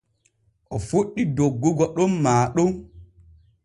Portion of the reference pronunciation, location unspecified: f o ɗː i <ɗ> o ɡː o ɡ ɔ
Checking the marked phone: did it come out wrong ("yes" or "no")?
yes